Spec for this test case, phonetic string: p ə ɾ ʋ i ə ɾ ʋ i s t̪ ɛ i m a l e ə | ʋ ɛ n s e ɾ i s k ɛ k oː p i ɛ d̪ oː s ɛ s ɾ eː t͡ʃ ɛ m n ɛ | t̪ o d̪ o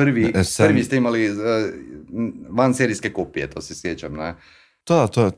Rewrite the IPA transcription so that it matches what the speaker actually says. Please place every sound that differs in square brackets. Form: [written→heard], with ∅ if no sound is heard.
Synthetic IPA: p ə ɾ ʋ i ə ɾ ʋ i s t̪ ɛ i m a l [e→i] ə | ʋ [ɛ→a] n s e ɾ i s k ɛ k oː p i ɛ [d̪→t̪] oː s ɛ s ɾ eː t͡ʃ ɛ m n ɛ | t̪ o [d̪→t̪] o